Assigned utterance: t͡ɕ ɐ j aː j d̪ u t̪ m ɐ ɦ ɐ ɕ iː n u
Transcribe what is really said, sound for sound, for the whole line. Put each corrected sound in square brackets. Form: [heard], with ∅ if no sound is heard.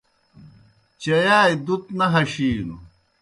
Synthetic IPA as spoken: t͡ɕ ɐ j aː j d̪ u t̪ [n] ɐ ɦ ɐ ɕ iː n u